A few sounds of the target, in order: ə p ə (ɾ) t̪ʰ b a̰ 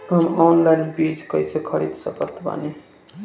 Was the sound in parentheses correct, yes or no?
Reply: yes